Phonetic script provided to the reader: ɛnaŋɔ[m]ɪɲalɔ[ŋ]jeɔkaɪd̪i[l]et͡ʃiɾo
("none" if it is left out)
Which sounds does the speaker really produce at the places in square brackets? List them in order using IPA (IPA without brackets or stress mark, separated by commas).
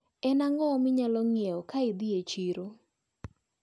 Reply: m, ŋ, none